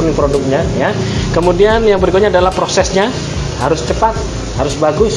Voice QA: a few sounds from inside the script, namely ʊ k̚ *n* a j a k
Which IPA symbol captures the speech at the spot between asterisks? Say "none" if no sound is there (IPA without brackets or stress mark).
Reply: ɲ